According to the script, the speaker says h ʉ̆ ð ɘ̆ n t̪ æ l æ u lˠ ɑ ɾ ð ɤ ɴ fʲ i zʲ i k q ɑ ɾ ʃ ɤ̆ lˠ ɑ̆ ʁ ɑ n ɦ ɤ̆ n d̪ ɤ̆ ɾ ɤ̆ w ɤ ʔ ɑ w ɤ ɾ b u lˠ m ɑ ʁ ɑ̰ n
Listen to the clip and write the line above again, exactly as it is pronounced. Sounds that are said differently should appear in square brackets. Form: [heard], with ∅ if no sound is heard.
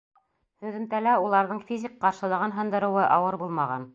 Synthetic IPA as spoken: h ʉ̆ ð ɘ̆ n t̪ æ l æ u lˠ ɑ ɾ ð ɤ ɴ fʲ i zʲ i k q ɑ ɾ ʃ ɤ̆ lˠ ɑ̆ ʁ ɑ n ɦ ɤ̆ n d̪ ɤ̆ ɾ ɤ̆ w ɤ ʔ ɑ w ɤ ɾ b u lˠ m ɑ ʁ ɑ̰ n

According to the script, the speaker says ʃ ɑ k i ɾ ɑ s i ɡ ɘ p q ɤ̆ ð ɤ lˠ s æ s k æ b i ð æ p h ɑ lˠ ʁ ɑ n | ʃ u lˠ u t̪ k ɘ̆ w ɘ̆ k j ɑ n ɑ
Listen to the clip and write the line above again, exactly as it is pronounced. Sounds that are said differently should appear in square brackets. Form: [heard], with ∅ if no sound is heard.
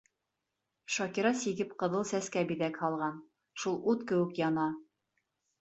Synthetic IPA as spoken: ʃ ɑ k i ɾ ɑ s i ɡ ɘ p q ɤ̆ ð ɤ lˠ s æ s k æ b i ð æ [k] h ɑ lˠ ʁ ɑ n | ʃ u lˠ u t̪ k ɘ̆ w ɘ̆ k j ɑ n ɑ

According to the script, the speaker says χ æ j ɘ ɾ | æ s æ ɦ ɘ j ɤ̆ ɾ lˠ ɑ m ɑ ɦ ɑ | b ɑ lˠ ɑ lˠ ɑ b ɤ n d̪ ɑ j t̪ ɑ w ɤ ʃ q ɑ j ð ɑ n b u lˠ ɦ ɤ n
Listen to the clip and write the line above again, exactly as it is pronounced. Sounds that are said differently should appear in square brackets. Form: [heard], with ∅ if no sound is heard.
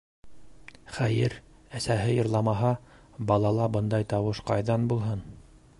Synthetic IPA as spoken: χ æ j ɘ ɾ | æ s æ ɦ ɘ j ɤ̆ ɾ lˠ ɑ m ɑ ɦ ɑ | b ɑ lˠ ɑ lˠ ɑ b ɤ n d̪ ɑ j t̪ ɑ w ɤ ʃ q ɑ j ð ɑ n b u lˠ ɦ ɤ n

